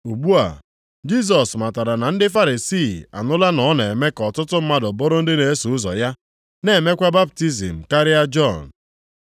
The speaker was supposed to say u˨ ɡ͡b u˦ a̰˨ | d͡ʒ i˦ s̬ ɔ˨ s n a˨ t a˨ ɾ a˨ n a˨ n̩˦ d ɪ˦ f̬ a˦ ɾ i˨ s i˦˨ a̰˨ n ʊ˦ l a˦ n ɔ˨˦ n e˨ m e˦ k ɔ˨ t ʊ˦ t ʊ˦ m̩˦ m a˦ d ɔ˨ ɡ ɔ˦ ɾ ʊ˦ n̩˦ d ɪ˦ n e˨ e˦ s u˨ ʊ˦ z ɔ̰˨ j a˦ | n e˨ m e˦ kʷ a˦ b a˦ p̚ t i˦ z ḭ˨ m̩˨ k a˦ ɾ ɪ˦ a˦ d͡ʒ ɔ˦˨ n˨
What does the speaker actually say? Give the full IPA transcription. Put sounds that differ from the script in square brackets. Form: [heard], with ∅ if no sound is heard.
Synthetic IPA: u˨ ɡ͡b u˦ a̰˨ | d͡ʒ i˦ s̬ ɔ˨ s [m] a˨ t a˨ ɾ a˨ n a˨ n̩˦ d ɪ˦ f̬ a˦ ɾ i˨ s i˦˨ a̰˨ n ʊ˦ l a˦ n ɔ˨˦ n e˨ m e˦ k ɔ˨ t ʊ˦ t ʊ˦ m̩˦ m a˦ d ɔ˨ [b] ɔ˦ ɾ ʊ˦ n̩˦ d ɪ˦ n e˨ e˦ s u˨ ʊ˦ z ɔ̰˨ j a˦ | n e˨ m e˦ kʷ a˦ b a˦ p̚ t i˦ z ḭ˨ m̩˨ k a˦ ɾ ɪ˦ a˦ d͡ʒ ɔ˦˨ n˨